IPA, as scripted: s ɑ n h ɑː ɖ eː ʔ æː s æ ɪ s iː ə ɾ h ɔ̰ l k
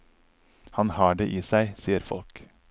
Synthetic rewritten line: h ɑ n h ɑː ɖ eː ʔ iː s æ ɪ s iː ə ɾ f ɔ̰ l k